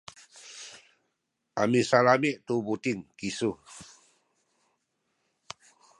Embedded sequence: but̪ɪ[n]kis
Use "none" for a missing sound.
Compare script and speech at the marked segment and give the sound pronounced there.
ŋ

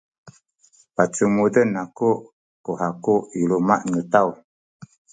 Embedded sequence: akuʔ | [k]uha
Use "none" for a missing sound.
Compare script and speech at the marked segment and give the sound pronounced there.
k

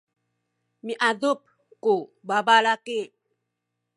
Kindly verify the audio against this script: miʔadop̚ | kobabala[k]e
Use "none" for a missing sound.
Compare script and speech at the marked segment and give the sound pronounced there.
k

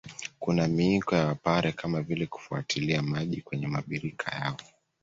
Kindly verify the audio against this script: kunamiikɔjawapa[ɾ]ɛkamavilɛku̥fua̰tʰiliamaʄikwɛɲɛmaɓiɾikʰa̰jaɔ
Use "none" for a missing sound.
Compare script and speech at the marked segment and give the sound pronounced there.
ɾ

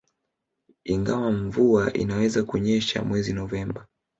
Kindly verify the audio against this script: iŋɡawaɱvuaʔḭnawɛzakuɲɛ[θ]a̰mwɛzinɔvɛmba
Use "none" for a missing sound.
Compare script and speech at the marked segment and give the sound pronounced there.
ʃ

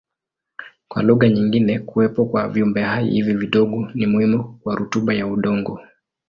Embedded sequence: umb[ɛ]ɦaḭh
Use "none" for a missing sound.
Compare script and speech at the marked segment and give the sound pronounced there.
ɛ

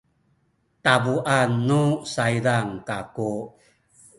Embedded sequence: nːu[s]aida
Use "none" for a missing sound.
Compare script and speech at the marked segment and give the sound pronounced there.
s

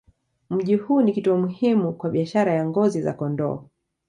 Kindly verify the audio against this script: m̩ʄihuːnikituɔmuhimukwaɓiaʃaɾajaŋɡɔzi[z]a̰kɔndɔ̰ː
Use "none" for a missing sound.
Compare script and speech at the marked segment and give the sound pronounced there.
z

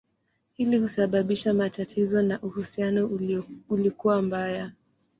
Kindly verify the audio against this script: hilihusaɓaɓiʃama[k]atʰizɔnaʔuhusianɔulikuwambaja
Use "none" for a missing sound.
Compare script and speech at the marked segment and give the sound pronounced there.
t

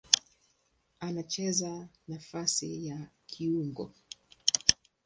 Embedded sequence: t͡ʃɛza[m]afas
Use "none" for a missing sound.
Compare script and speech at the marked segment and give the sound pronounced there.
n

